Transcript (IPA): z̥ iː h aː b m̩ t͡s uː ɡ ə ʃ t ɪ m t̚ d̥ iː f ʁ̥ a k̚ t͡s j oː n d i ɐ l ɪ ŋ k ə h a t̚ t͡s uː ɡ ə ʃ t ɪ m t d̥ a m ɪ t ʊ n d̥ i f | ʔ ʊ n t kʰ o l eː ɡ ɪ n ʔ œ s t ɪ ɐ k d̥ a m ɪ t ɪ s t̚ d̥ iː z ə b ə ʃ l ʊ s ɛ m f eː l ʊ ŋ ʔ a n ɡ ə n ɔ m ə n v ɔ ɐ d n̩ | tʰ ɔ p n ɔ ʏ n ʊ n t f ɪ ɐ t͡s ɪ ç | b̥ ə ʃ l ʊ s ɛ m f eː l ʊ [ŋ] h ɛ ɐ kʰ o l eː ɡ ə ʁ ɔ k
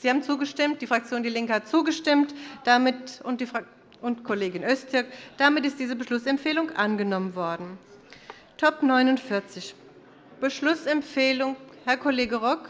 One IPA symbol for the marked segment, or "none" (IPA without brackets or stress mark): ŋ